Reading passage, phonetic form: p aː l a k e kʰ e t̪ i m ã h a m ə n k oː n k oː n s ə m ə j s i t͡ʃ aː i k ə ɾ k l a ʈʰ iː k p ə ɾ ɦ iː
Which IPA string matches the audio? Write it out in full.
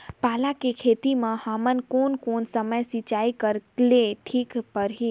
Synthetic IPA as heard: p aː l a k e kʰ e t̪ i m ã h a m ə n k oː n k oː n s ə m ə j s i t͡ʃ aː i k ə ɾ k l e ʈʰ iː k p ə ɾ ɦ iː